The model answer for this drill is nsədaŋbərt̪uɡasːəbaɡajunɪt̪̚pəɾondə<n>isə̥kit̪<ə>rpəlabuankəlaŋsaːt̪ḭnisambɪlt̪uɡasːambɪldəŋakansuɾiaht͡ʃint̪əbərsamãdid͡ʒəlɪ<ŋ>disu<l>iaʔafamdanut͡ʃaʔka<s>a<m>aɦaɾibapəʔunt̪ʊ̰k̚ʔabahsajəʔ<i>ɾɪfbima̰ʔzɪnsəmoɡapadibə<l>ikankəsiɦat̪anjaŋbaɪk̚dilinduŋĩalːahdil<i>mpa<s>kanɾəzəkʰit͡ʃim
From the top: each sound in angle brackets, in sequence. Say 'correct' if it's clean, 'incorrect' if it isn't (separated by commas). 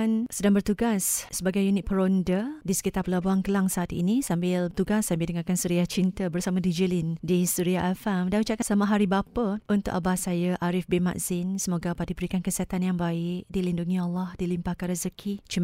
incorrect, incorrect, incorrect, incorrect, correct, correct, incorrect, incorrect, correct, incorrect